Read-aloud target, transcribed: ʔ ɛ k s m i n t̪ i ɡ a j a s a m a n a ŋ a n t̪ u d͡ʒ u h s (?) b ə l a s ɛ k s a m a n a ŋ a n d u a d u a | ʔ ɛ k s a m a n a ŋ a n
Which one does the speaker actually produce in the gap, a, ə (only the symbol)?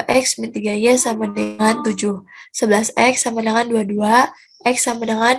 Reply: ə